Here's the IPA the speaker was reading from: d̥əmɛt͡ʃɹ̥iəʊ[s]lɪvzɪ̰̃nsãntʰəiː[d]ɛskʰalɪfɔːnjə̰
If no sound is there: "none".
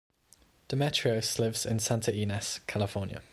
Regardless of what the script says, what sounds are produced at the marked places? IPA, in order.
s, n

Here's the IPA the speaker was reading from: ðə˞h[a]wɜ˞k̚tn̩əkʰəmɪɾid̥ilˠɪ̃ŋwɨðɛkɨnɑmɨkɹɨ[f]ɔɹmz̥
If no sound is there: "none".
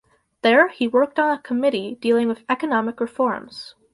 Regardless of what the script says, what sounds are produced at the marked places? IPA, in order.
i, f

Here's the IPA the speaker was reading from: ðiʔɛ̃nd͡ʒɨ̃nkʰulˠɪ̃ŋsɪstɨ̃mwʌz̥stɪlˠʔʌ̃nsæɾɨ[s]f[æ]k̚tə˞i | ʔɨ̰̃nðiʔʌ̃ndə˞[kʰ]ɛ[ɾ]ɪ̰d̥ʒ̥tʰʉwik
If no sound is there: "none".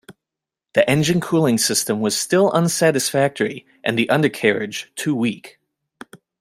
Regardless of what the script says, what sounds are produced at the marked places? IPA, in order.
s, æ, kʰ, ɹ

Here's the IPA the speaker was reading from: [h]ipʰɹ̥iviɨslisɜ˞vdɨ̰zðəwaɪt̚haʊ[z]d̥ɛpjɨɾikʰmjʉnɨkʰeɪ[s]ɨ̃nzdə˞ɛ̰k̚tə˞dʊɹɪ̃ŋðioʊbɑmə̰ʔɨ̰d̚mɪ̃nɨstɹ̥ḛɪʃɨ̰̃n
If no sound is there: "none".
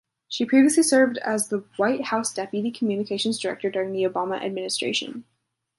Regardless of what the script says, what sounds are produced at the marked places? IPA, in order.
ʃ, s, ʃ

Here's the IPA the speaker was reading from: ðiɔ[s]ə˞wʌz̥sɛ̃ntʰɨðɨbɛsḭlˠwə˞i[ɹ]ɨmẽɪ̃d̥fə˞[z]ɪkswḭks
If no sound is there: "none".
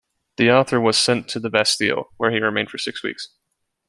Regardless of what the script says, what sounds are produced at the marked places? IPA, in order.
θ, ɹ, s

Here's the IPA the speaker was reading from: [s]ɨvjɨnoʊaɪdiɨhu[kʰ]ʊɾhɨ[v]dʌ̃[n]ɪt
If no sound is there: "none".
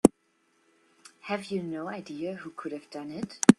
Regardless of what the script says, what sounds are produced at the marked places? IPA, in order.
h, kʰ, v, n

